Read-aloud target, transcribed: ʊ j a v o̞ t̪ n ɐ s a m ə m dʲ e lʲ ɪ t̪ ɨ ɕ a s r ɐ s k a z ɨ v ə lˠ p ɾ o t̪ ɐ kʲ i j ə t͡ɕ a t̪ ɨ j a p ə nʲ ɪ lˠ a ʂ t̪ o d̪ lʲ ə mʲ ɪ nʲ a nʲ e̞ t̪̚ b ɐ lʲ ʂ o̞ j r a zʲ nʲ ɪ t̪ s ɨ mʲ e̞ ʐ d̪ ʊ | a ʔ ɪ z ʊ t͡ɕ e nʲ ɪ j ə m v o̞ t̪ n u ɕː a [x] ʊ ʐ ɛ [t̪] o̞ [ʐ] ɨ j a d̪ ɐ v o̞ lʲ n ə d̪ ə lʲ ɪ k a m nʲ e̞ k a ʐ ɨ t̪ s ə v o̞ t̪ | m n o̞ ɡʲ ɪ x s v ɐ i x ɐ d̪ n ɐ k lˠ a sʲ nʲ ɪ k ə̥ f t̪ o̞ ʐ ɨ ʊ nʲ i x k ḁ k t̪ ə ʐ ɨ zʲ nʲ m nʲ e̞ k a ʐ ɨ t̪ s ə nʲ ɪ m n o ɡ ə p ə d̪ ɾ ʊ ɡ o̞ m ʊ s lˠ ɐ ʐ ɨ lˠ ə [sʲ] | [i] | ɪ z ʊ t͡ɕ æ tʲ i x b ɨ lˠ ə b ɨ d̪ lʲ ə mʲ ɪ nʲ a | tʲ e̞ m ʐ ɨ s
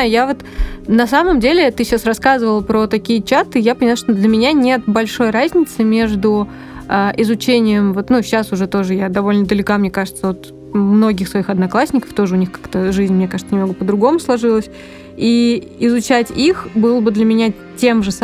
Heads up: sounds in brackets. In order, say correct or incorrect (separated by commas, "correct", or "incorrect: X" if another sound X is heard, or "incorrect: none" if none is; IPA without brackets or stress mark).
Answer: incorrect: s, correct, correct, correct, correct